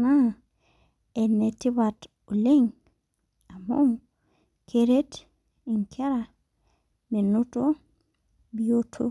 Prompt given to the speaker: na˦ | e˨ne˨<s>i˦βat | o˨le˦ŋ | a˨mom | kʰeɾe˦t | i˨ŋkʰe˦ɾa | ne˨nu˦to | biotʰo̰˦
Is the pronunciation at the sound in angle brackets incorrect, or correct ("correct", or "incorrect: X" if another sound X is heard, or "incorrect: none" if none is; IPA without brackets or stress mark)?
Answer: incorrect: t